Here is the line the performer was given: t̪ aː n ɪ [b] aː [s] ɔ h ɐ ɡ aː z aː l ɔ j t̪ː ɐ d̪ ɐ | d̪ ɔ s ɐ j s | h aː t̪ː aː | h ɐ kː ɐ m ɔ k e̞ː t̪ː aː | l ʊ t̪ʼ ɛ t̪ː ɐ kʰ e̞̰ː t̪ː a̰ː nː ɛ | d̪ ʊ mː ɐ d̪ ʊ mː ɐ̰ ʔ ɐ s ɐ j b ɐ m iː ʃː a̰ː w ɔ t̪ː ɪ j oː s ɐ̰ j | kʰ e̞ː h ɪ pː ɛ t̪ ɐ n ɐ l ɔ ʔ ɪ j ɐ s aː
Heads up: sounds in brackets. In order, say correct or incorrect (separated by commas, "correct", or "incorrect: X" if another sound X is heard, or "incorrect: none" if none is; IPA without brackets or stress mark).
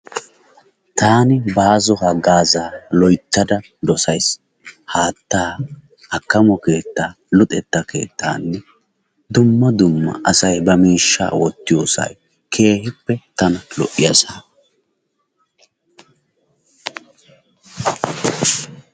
correct, incorrect: z